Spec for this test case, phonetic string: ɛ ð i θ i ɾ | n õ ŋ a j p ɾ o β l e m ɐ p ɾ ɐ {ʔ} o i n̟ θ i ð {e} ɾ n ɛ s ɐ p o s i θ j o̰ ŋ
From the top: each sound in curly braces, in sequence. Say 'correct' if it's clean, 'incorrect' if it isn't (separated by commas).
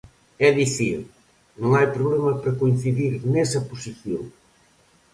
incorrect, incorrect